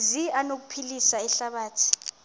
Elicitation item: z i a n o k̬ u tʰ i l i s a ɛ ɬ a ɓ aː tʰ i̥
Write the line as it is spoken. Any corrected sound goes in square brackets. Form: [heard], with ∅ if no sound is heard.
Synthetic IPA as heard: z i a n o k̬ u [pʰ] i l i s a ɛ ɬ a ɓ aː tʰ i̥